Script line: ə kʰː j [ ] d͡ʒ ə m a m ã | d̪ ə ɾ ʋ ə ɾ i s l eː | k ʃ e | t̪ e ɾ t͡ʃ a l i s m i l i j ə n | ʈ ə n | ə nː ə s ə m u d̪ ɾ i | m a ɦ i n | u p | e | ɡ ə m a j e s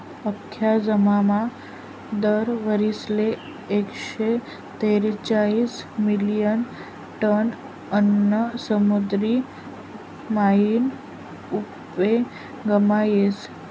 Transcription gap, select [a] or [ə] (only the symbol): a